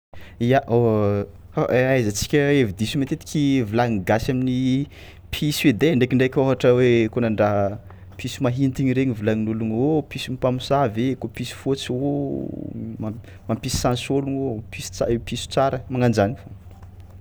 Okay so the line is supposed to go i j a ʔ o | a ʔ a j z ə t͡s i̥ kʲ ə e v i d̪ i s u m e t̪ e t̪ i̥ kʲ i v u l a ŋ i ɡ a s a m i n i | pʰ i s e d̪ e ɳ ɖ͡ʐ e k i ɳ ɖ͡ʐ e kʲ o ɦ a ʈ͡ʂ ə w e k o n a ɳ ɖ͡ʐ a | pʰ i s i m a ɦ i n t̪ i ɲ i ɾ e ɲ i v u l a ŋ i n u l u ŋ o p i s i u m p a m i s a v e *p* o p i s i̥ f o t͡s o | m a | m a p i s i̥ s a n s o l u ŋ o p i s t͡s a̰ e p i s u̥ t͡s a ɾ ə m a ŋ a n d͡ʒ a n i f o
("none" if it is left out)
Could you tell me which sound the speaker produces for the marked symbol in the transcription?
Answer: k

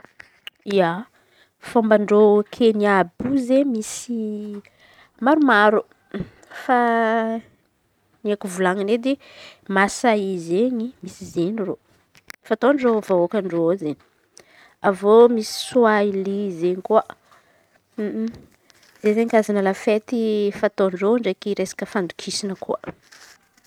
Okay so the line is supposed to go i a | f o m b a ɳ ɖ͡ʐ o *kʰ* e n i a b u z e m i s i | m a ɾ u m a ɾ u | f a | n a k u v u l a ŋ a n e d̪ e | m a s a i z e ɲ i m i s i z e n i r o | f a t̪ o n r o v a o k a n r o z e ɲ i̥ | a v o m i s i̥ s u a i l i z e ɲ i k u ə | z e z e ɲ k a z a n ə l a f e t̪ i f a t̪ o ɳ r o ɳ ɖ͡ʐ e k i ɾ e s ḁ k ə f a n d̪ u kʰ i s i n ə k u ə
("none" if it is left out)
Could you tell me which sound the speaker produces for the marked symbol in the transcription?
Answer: kʰ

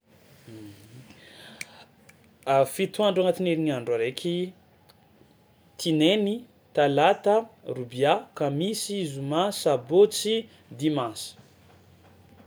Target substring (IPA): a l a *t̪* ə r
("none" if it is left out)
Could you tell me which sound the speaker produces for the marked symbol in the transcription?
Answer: t̪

